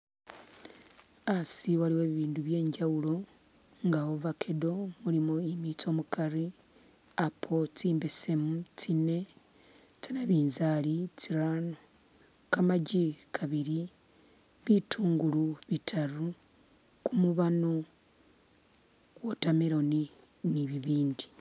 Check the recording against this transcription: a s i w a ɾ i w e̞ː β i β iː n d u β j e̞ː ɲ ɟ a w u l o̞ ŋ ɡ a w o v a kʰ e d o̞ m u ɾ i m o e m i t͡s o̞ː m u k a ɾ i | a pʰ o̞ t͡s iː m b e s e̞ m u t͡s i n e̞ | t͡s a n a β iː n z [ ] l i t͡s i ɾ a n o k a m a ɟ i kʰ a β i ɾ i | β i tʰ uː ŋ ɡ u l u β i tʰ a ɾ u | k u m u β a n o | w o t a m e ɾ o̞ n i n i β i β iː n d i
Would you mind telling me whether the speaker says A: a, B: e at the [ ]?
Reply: A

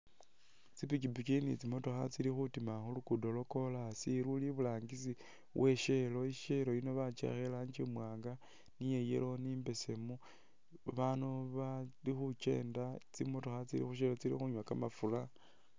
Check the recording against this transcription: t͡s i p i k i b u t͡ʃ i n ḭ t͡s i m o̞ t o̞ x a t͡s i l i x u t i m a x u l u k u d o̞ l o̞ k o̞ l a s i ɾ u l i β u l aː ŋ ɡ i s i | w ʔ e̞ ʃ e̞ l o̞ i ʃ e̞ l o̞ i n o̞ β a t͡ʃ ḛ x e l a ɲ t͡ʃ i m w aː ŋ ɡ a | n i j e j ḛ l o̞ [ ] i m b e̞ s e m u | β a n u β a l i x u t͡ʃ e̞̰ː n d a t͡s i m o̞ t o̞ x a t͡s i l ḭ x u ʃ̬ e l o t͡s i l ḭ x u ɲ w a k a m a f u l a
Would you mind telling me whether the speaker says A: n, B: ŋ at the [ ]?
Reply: A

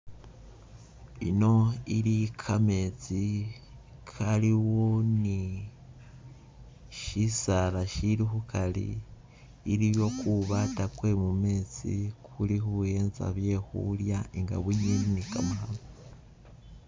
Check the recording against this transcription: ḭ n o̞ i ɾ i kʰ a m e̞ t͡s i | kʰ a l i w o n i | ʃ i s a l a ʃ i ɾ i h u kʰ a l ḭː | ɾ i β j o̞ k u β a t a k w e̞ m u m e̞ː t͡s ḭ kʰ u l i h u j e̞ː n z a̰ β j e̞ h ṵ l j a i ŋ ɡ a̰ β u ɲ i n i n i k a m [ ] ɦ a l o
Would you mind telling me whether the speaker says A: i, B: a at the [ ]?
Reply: B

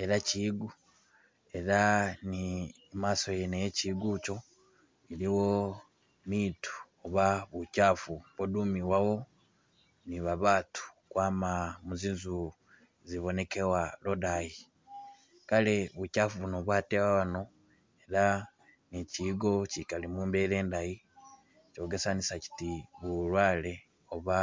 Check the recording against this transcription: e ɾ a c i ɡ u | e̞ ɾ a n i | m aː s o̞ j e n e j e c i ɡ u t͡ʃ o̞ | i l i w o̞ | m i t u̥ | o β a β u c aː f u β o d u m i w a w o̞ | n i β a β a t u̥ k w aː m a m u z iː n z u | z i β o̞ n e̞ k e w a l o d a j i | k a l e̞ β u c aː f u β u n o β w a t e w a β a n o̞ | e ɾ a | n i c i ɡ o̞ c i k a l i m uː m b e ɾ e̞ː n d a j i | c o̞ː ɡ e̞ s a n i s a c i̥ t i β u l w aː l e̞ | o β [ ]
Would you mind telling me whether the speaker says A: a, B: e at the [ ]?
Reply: A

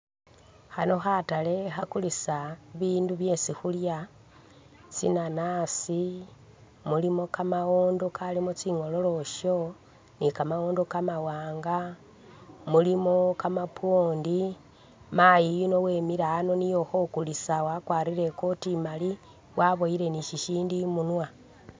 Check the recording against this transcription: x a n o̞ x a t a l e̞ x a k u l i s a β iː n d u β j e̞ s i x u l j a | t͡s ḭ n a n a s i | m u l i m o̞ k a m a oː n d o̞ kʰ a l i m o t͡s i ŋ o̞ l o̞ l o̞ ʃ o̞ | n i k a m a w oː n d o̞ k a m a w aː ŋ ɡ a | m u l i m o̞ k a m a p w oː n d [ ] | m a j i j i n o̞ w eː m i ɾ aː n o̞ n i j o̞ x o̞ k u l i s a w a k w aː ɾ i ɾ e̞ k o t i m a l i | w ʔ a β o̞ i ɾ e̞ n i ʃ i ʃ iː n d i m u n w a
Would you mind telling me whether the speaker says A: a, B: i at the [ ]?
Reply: B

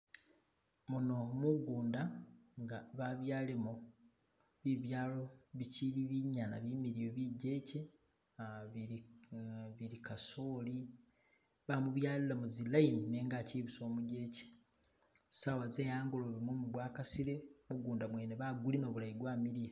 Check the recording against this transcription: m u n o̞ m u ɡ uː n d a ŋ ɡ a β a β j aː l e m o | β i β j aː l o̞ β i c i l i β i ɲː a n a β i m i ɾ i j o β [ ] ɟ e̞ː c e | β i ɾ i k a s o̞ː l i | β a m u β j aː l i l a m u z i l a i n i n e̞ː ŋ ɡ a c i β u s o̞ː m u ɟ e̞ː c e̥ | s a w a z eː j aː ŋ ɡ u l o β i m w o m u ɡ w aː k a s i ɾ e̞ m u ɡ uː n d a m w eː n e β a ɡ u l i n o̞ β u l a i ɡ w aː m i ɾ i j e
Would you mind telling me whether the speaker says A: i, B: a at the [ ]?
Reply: A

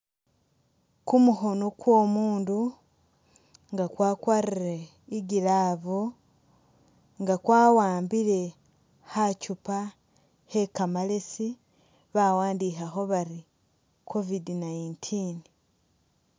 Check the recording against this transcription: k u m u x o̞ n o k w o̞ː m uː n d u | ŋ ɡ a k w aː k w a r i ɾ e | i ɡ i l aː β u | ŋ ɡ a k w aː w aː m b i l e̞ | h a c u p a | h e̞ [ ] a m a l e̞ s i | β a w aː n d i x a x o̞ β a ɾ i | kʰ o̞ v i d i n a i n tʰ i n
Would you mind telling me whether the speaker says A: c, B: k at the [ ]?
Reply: B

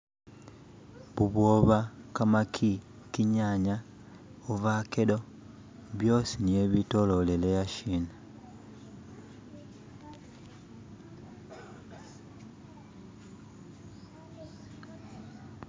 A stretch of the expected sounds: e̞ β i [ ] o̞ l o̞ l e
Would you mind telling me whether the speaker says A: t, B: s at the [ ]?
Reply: A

